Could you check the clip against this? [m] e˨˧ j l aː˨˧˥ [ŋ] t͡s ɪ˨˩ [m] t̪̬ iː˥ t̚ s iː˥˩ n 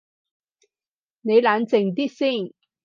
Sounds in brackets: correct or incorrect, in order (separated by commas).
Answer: incorrect, incorrect, incorrect